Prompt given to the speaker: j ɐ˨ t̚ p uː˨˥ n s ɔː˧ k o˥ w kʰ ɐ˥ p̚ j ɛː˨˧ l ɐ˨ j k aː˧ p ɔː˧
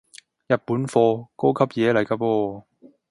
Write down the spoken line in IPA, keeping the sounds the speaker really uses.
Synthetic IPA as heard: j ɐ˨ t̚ p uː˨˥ n f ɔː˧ k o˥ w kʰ ɐ˥ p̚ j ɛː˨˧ l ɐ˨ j k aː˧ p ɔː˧